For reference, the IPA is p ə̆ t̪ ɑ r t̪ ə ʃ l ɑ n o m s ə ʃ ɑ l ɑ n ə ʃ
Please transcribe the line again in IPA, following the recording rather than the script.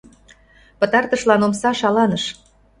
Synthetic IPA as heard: p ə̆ t̪ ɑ r t̪ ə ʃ l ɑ n o m s ɑ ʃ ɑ l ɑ n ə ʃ